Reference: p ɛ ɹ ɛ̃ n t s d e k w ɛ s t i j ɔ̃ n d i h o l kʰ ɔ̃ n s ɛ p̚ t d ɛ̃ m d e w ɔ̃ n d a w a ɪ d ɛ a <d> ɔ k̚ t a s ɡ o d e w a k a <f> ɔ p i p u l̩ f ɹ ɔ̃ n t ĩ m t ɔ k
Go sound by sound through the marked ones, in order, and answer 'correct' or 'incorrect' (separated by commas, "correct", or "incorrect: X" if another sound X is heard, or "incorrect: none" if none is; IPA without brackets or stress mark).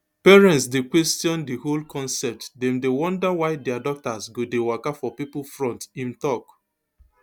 correct, correct